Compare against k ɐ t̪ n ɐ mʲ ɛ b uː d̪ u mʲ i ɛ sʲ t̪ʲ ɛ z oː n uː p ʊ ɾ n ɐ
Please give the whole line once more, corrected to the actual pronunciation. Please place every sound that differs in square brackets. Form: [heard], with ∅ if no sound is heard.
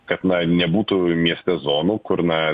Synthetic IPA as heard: k ɐ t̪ n ɐ [nʲ] ɛ b uː [t̪] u mʲ i ɛ sʲ t̪ʲ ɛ z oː n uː [k] ʊ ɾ n ɐ